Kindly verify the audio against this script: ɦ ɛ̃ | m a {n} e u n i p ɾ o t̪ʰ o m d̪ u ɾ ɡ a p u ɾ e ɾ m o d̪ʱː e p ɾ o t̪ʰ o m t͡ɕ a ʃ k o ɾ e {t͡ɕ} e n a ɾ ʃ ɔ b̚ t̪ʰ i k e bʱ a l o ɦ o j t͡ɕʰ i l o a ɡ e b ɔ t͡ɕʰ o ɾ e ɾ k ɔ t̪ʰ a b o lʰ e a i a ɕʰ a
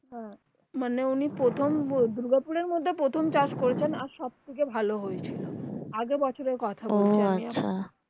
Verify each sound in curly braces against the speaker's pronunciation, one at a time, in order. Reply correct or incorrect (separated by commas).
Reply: correct, incorrect